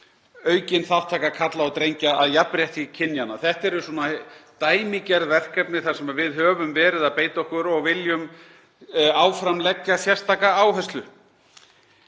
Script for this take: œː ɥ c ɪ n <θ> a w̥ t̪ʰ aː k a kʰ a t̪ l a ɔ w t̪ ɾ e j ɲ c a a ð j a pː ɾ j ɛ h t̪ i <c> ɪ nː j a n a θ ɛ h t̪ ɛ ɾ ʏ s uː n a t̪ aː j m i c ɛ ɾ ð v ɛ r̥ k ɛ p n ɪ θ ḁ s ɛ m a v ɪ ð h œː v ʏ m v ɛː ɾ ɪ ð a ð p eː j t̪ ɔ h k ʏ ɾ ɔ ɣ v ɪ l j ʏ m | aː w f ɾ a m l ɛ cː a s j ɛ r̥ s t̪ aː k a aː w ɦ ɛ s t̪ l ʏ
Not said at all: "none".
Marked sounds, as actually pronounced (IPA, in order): θ, cʰ

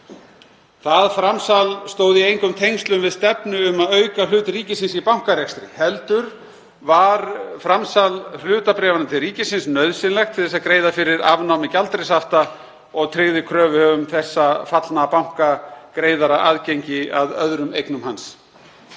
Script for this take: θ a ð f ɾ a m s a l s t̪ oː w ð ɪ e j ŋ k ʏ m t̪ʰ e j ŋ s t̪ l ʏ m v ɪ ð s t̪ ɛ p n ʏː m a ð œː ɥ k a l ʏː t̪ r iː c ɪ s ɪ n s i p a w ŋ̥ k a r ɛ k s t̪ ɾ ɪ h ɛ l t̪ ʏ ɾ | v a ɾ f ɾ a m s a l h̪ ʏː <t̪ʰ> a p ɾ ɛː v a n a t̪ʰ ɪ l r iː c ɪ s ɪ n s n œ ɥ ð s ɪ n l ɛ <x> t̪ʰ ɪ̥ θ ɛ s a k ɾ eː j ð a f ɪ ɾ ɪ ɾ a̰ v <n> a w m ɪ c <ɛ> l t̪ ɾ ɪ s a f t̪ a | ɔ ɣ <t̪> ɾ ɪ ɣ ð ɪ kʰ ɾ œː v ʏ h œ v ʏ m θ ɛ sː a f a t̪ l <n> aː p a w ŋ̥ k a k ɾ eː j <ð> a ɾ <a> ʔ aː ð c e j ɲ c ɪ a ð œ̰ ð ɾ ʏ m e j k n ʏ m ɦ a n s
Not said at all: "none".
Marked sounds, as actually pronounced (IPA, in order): t̪, x, n, a, t̪ʰ, n, ð, a

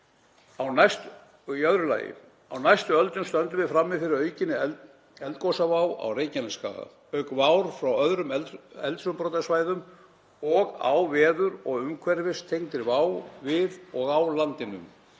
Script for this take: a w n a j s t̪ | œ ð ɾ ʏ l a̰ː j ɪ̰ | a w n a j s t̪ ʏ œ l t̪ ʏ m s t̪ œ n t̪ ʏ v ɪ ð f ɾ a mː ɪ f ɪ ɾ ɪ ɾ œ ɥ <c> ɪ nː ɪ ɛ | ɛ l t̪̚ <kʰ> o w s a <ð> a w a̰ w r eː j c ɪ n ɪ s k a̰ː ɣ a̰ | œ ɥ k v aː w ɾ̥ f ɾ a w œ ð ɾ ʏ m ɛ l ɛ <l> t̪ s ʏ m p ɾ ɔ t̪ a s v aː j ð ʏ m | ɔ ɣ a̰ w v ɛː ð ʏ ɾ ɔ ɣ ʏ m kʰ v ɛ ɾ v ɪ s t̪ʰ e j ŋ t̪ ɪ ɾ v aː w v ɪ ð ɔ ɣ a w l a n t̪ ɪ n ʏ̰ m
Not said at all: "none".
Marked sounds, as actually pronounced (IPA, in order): c, k, v, l

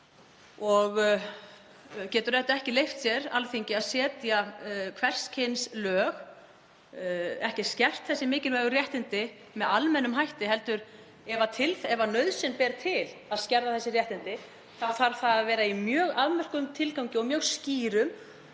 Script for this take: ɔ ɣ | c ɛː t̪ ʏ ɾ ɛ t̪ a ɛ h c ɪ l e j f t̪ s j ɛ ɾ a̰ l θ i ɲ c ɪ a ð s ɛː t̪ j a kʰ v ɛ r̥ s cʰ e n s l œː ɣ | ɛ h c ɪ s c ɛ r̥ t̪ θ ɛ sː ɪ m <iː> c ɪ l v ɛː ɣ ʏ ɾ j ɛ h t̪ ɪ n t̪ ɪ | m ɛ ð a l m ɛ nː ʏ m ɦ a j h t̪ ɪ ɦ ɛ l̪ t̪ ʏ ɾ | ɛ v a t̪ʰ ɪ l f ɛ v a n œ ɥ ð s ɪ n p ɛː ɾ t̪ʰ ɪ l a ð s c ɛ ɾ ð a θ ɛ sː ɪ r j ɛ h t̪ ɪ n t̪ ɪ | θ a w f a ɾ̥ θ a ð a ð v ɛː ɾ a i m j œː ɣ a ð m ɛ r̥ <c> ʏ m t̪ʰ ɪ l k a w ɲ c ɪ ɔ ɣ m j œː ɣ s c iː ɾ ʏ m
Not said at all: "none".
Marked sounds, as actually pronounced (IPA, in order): ɪː, k

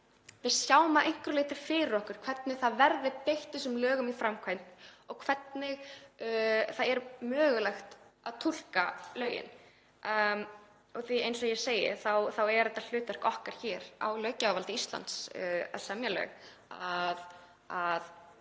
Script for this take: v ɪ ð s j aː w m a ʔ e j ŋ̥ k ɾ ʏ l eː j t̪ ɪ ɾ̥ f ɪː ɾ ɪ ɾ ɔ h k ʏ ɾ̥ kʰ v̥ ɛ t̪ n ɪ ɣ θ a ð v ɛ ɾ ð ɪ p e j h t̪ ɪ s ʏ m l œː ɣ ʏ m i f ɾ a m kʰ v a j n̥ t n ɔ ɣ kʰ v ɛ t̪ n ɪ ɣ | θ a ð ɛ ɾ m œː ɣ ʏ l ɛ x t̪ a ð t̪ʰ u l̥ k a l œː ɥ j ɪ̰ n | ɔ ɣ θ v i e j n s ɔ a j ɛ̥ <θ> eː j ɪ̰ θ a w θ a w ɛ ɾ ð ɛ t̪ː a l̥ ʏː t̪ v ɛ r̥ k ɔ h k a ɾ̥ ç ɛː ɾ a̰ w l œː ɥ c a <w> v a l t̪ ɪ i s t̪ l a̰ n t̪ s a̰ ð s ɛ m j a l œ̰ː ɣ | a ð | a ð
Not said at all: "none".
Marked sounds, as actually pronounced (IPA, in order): s, w

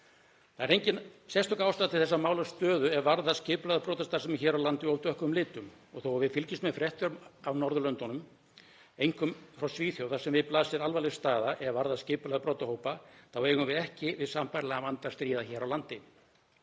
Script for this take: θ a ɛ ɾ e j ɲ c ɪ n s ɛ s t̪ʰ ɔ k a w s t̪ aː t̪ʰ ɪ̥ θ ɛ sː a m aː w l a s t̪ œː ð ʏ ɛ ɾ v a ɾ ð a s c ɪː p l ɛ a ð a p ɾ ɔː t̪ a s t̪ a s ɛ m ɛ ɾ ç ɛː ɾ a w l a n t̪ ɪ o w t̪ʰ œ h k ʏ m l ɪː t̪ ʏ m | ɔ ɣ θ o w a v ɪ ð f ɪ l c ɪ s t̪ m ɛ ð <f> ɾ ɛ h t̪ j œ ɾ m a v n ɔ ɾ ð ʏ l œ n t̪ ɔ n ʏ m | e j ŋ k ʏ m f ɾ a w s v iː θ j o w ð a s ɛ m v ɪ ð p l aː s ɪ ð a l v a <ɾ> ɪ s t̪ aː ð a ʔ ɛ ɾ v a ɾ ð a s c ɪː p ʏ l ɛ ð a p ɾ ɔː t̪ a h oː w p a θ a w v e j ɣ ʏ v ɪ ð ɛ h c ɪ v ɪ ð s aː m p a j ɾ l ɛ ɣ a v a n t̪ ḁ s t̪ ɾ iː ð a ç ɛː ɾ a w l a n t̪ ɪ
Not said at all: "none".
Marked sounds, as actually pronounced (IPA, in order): f, l

